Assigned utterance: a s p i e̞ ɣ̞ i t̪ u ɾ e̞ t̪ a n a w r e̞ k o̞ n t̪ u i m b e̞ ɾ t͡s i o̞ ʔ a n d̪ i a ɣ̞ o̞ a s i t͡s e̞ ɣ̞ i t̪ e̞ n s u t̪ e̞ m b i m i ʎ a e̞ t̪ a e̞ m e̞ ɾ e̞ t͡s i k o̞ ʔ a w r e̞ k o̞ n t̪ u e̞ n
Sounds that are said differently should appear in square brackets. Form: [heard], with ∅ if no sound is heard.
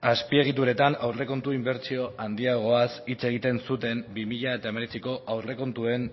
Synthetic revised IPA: a s p i e̞ ɣ̞ i t̪ u ɾ e̞ t̪ a n a w r e̞ k o̞ n t̪ u i m b e̞ ɾ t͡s i o̞ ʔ a n d̪ i a ɣ̞ o̞ a s i t͡s e̞ ɣ̞ i t̪ e̞ n s u t̪ e̞ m b i m i ʎ a e̞ t̪ a e̞ m e̞ ɾ e̞ t͡s i k o̞ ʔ a w r e̞ k o̞ n t̪ u e̞ n